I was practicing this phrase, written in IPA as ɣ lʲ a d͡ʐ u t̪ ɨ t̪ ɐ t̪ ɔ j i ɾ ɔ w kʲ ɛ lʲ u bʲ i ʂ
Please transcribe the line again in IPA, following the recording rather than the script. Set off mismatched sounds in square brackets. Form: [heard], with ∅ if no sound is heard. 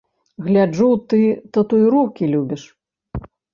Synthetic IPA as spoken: ɣ lʲ a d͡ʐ u t̪ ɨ t̪ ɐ t̪ [u] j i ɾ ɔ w kʲ [i] lʲ u bʲ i ʂ